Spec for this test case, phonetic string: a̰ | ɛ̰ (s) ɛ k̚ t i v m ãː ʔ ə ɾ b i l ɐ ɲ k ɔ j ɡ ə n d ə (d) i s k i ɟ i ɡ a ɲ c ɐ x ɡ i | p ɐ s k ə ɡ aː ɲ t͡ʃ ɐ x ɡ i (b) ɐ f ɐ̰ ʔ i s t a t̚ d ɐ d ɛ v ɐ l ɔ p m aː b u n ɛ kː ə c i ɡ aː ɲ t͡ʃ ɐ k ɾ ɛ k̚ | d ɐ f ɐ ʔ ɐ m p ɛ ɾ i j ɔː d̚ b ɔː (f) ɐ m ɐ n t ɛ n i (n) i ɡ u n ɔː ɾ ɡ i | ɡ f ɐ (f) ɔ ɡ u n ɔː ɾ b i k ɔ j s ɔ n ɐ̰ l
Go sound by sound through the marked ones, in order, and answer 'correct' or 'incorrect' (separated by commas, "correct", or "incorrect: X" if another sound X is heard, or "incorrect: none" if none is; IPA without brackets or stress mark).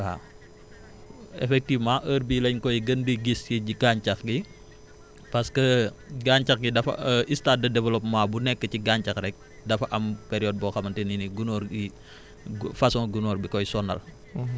incorrect: f, incorrect: ɡ, incorrect: d, incorrect: x, correct, incorrect: s